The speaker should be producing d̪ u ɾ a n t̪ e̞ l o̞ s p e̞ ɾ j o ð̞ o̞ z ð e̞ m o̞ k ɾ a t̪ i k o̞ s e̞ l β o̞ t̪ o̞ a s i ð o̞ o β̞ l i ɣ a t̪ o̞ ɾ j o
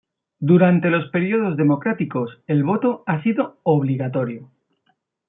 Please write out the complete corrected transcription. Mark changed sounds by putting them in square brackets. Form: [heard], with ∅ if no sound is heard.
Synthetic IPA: d̪ u ɾ a n t̪ e̞ l o̞ s p e̞ ɾ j o ð̞ o̞ z ð e̞ m o̞ k ɾ a t̪ i k o̞ s e̞ l β o̞ t̪ o̞ a s i ð o̞ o β̞ l i ɣ a t̪ o̞ ɾ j o